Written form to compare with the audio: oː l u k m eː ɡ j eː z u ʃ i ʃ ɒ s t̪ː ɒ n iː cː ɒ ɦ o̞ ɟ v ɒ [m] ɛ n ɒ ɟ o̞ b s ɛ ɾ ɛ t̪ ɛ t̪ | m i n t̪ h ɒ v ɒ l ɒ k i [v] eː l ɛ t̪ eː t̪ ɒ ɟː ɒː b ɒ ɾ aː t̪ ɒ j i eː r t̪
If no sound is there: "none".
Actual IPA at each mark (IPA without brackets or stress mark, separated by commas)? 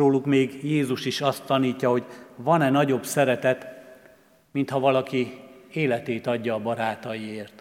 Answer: n, none